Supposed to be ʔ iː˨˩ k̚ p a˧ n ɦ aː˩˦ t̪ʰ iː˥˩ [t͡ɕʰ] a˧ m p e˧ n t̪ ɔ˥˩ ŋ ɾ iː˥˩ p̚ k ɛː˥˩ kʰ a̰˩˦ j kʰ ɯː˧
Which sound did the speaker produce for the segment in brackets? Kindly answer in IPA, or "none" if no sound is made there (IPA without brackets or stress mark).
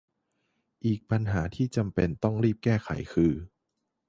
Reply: t͡ɕ